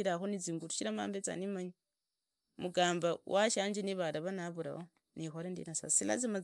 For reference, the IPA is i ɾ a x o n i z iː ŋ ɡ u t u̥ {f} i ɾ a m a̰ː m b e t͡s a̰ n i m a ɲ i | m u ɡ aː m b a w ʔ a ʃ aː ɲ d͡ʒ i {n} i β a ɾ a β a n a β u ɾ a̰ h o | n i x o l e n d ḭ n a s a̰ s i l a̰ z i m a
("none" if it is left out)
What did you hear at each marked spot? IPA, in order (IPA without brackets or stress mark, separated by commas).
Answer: ʃ, n